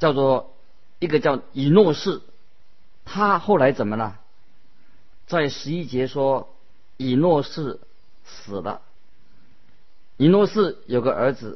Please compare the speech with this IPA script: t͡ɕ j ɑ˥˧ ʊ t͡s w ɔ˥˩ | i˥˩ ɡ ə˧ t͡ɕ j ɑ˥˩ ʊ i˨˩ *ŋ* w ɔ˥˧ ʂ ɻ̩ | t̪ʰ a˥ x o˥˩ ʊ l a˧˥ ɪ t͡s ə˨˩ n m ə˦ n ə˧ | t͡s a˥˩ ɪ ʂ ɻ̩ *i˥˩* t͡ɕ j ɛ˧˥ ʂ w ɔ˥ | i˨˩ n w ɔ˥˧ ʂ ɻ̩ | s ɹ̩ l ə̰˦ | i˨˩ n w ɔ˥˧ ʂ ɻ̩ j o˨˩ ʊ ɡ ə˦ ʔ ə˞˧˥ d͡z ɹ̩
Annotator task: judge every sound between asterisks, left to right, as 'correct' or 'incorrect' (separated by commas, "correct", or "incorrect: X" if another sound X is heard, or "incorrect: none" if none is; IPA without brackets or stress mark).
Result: incorrect: n, incorrect: i˥